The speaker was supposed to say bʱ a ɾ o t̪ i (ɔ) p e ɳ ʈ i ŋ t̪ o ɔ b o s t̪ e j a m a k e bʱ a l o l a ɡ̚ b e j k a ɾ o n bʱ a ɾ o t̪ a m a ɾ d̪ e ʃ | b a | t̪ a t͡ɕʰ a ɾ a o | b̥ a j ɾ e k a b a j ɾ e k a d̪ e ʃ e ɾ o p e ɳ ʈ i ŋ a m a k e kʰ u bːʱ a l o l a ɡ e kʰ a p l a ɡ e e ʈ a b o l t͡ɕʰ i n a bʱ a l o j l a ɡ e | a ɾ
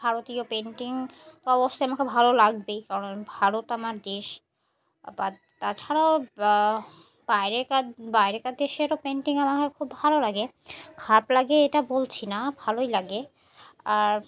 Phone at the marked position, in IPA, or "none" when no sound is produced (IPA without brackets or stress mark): o